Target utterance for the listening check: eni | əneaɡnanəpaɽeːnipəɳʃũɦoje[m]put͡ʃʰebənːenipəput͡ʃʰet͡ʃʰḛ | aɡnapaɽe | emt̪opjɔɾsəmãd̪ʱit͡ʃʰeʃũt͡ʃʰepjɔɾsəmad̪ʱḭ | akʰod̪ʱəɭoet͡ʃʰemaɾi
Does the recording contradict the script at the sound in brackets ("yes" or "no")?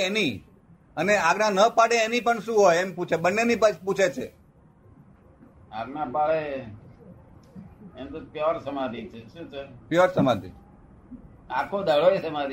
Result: no